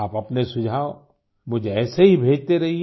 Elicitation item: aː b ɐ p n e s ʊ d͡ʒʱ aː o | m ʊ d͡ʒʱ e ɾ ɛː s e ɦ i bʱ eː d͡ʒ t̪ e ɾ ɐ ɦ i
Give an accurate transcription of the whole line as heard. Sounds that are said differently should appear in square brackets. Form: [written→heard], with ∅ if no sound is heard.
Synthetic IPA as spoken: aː [b→p] ɐ p n e s ʊ d͡ʒʱ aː o | m ʊ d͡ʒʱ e [ɾ→∅] ɛː s e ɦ i bʱ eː d͡ʒ t̪ e ɾ ɐ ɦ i